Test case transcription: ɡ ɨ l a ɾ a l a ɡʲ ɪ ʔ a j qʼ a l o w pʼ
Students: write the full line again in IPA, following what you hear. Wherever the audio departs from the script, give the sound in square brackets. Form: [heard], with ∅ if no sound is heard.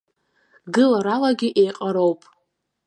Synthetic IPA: ɡ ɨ l a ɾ a l a ɡʲ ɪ ʔ [e] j qʼ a [ɾ] o w pʼ